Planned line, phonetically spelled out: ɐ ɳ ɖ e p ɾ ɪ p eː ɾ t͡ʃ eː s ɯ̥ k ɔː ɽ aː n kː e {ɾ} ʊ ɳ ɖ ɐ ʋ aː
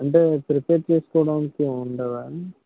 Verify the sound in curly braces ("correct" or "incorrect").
incorrect